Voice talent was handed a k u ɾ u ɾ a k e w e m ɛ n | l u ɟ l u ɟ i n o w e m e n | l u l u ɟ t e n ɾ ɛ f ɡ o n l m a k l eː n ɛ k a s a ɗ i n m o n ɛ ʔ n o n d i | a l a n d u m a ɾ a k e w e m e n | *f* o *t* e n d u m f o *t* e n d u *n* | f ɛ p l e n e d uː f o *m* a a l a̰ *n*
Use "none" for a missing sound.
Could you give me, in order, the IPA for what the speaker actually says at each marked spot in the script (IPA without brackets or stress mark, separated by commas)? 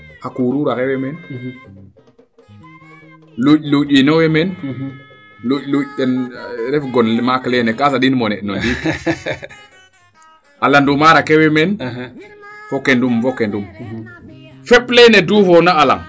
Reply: f, k, k, m, n, ŋ